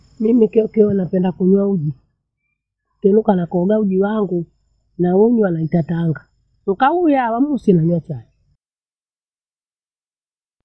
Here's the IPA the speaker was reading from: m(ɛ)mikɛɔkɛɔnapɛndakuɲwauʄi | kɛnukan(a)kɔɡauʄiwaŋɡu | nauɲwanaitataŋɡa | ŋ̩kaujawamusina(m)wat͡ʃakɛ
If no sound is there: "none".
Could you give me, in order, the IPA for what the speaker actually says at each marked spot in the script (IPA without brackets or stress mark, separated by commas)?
i, a, ɲ